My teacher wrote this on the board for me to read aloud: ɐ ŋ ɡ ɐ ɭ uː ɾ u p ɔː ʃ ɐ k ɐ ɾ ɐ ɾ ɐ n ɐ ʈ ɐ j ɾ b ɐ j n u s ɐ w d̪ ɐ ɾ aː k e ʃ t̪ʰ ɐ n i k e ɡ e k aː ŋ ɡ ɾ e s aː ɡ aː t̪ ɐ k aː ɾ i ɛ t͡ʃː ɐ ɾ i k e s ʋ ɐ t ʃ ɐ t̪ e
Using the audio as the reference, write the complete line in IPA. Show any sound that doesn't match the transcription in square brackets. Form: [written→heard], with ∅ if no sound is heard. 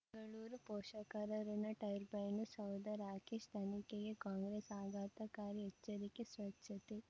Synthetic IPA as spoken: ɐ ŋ ɡ ɐ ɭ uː ɾ u p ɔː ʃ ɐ k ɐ ɾ ɐ ɾ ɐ n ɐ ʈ ɐ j ɾ b ɐ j n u s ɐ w d̪ ɐ ɾ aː k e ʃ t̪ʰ ɐ n i k e ɡ e k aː ŋ ɡ ɾ e s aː ɡ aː t̪ ɐ k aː ɾ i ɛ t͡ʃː ɐ ɾ i k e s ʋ ɐ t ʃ ɐ t̪ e